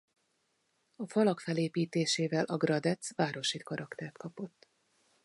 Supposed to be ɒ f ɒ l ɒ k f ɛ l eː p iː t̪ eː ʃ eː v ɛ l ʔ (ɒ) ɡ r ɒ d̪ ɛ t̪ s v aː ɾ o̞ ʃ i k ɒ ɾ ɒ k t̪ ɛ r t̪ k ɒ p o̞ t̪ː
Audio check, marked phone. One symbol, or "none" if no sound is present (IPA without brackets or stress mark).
ɒ